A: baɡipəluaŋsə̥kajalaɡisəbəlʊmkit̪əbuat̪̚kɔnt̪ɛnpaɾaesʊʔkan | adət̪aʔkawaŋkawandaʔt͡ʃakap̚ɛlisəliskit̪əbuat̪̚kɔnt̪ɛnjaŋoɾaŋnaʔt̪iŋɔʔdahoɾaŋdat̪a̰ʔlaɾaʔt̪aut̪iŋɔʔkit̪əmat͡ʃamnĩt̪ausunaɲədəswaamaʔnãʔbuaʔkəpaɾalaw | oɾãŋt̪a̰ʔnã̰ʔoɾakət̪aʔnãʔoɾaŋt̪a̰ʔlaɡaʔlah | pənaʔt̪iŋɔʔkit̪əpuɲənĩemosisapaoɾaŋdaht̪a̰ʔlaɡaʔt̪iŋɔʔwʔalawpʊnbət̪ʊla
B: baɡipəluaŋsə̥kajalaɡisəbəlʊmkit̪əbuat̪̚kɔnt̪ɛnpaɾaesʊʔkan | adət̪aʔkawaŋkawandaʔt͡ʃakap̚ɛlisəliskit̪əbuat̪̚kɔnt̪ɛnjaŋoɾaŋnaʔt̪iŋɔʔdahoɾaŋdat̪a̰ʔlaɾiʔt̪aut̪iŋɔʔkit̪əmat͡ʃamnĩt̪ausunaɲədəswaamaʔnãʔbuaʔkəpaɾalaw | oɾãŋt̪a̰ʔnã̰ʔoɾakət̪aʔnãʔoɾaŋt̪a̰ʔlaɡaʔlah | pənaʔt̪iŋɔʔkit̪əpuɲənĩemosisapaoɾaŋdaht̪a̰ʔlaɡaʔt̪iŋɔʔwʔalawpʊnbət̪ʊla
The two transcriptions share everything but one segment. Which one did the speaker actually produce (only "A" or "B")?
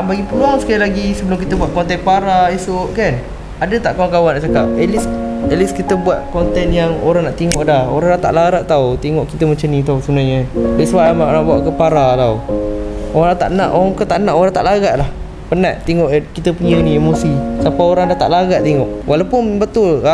A